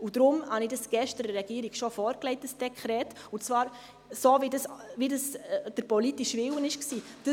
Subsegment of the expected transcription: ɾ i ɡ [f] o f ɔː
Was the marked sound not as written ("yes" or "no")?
yes